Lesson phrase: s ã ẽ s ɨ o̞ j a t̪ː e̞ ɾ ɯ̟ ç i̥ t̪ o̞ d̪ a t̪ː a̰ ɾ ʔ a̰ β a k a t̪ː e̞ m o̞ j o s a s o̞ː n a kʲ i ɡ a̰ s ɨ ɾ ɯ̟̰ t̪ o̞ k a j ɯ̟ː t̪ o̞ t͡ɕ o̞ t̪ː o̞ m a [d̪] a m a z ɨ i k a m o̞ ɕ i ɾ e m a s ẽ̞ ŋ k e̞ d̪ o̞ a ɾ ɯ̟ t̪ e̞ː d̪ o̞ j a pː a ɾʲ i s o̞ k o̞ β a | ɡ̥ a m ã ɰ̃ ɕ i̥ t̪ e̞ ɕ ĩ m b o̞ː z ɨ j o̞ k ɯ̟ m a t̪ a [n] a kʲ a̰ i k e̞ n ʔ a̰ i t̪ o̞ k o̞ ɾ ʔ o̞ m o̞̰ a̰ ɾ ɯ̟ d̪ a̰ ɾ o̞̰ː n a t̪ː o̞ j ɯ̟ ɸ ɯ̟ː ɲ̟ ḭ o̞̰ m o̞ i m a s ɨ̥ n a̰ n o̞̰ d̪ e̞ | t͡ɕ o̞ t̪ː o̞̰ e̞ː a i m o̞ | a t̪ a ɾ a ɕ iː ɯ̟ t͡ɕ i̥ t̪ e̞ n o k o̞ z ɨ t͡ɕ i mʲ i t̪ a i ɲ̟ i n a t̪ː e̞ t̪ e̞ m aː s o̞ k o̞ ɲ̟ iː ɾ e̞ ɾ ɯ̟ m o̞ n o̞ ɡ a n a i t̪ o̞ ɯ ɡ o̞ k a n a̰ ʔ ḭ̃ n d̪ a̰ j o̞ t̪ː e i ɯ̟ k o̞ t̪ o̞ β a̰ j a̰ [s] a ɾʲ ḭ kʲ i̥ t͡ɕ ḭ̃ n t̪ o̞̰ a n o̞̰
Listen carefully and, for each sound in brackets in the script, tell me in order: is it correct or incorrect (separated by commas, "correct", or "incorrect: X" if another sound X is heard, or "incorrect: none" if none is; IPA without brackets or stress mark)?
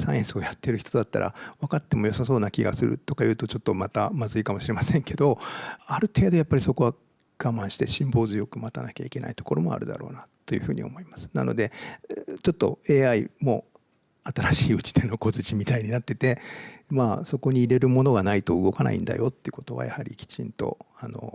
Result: incorrect: t̪, correct, incorrect: h